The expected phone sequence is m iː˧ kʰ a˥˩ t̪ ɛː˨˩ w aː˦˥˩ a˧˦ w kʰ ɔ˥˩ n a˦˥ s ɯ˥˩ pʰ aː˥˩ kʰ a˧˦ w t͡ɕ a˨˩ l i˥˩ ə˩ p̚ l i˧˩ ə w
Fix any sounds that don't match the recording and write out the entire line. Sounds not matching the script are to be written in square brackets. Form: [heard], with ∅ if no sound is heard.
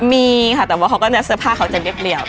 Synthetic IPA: m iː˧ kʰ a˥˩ t̪ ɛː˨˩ w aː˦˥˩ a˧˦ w [k] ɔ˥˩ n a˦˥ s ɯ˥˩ pʰ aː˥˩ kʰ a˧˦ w t͡ɕ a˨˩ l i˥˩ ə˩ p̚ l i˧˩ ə w